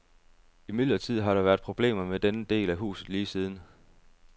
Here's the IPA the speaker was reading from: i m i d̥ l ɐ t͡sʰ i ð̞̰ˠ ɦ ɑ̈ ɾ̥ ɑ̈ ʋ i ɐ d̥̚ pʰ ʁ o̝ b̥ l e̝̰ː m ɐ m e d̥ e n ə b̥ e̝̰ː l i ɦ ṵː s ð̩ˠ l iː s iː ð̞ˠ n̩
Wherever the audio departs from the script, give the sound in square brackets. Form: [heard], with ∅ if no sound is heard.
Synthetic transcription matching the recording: i m i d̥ l ɐ t͡sʰ i ð̞̰ˠ ɦ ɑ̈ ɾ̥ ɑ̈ ʋ [æ] ɐ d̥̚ pʰ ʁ o̝ b̥ l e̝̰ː m ɐ m e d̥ e n ə [d̥] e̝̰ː l [æ] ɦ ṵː s ð̩ˠ l iː s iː ð̞ˠ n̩